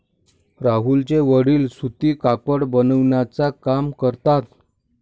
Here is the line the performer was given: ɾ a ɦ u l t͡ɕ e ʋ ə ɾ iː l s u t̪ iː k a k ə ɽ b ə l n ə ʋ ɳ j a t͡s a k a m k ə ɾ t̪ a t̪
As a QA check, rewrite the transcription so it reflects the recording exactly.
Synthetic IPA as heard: ɾ a ɦ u l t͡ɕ e ʋ ə ɽ iː l s u t̪ iː k a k ə ɽ b ə n ə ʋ ɳ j a t͡s a k a m k ə ɾ t̪ a t̪